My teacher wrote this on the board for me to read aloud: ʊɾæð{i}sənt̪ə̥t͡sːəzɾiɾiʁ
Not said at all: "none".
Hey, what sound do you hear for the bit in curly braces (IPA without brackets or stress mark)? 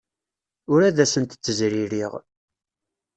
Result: æ